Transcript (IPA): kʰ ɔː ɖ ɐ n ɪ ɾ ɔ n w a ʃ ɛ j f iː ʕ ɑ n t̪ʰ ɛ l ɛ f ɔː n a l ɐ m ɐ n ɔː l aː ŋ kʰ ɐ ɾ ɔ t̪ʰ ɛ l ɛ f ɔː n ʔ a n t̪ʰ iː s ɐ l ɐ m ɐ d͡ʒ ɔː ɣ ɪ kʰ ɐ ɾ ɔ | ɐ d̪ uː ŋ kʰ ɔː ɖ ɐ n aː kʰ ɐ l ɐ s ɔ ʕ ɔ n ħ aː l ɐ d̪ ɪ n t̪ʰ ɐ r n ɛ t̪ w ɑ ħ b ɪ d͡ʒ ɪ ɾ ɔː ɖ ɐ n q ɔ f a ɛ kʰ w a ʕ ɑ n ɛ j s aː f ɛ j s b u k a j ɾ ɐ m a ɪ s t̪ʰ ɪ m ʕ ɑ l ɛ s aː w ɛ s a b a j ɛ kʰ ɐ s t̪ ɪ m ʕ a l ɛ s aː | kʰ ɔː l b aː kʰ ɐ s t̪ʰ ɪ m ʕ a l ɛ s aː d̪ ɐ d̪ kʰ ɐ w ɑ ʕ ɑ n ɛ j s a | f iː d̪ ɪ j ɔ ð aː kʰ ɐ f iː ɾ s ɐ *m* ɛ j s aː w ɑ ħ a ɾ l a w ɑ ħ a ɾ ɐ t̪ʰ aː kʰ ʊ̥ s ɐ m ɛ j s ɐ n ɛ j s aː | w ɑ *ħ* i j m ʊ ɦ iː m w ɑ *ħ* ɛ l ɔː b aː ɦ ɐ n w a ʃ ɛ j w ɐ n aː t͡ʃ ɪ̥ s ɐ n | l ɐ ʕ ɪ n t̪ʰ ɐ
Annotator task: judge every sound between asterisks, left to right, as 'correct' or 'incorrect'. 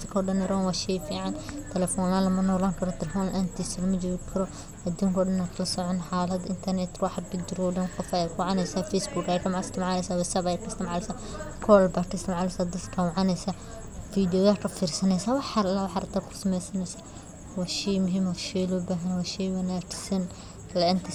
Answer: incorrect: n, incorrect: ʃ, incorrect: ʃ

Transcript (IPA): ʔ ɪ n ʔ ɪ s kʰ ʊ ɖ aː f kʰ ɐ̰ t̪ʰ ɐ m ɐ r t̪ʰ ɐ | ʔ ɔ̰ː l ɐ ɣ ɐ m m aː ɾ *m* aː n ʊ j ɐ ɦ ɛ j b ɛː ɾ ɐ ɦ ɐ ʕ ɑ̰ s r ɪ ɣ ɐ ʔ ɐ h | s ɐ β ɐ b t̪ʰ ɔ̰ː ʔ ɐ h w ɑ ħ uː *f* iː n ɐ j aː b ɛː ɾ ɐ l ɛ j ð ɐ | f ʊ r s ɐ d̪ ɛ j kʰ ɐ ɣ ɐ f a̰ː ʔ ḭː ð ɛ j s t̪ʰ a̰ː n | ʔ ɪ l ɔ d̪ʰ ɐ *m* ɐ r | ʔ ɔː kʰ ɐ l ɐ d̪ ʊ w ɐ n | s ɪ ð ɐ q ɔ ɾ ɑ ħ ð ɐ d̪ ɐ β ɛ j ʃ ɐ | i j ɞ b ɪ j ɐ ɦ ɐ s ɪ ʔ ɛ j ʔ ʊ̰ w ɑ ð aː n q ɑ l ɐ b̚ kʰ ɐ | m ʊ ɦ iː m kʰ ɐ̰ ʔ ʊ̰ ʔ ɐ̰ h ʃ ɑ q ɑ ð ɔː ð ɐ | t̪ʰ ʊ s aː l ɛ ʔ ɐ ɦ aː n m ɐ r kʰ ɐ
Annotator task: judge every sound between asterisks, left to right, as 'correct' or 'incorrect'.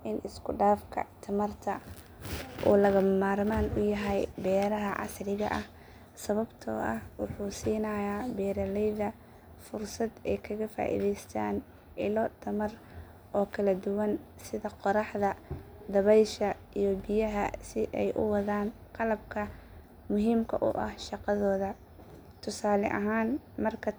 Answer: correct, incorrect: s, correct

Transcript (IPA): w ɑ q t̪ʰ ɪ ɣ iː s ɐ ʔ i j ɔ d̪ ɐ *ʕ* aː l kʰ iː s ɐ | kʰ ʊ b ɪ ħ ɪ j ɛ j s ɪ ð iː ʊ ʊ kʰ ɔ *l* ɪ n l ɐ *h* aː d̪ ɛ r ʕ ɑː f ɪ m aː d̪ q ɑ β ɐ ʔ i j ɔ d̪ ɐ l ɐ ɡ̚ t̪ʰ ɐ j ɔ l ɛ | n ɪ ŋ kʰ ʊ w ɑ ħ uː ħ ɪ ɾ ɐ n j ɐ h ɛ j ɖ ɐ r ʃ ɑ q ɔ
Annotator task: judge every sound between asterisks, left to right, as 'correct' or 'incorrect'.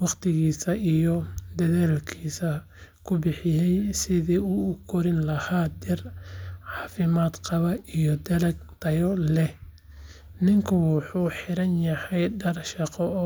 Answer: incorrect: ð, incorrect: ɾ, correct

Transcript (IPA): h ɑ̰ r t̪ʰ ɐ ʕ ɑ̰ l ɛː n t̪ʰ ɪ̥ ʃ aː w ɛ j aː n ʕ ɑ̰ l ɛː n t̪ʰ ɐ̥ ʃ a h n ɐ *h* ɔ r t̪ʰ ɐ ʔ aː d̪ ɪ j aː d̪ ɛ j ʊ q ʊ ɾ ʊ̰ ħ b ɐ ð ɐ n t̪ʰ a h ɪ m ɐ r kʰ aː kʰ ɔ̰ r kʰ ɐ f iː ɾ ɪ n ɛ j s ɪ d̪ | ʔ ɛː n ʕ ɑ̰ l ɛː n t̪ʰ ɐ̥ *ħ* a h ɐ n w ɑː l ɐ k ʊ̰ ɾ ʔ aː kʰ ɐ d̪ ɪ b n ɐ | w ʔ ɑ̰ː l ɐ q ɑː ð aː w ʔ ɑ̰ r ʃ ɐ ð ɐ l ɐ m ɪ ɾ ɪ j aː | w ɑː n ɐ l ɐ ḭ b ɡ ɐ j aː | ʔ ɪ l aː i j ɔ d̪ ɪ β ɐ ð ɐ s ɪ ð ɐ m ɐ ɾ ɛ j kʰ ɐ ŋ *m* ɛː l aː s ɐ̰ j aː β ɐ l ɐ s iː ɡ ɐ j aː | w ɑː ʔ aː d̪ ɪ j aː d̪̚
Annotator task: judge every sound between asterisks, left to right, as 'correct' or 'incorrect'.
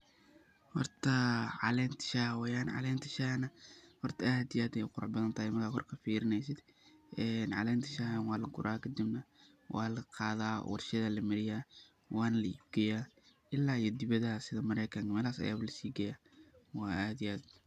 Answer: correct, incorrect: ʃ, correct

